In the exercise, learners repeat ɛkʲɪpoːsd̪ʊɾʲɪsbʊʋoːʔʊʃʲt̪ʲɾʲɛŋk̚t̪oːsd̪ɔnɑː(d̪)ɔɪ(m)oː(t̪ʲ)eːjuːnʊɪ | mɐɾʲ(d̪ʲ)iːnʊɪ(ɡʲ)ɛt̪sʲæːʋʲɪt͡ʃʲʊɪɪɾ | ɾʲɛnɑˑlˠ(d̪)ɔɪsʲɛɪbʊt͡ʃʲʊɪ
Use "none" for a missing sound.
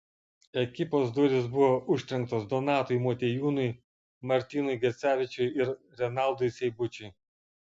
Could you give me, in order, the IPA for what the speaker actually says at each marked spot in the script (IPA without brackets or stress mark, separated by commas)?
t̪, m, t̪ʲ, t̪ʲ, ɡʲ, d̪